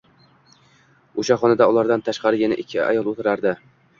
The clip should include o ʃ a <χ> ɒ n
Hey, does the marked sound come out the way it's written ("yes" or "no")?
yes